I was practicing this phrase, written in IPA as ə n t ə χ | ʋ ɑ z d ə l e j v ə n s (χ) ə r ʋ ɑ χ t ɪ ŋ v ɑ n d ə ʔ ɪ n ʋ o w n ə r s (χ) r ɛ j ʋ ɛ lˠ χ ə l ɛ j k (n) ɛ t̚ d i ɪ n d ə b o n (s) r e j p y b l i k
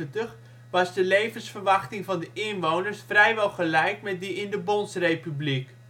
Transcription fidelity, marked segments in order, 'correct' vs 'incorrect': incorrect: f, incorrect: f, incorrect: m, correct

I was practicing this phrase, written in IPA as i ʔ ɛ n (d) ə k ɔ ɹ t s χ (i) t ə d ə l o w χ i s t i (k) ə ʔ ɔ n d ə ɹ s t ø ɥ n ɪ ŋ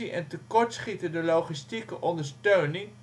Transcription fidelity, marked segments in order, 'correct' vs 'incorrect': incorrect: t, correct, correct

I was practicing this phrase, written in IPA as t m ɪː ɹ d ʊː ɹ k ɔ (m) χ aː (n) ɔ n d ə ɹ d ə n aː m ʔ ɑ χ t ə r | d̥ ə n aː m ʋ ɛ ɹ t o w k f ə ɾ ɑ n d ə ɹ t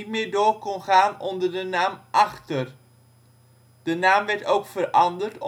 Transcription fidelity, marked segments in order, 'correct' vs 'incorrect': incorrect: n, correct

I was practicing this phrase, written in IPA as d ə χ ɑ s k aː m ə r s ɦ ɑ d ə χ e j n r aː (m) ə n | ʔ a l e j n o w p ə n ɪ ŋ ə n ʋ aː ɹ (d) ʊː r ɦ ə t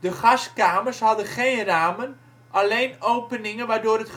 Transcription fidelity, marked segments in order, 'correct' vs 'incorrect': correct, correct

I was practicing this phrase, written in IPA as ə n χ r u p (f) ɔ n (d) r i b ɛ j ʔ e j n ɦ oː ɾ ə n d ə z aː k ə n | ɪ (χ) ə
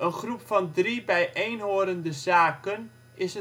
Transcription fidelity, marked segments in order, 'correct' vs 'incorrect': correct, correct, incorrect: s

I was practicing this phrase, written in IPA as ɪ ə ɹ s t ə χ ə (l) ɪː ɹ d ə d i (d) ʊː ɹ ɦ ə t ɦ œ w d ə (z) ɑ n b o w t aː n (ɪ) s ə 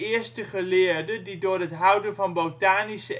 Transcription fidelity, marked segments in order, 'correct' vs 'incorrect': correct, correct, incorrect: v, incorrect: i

